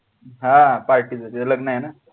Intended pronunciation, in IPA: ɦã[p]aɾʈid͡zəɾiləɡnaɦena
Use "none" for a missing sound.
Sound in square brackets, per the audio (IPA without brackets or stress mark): p